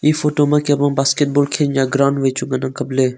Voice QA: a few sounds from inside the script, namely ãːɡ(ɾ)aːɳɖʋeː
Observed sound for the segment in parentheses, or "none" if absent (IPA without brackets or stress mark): ɾ